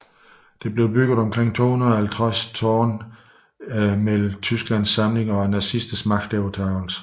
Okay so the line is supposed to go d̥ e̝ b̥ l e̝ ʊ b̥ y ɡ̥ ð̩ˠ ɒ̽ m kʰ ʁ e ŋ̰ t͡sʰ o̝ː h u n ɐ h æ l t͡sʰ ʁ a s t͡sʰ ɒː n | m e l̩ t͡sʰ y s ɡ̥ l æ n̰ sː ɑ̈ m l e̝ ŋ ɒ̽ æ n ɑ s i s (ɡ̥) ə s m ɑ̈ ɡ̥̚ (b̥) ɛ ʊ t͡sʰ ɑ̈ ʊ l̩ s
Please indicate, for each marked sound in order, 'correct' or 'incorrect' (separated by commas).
incorrect, incorrect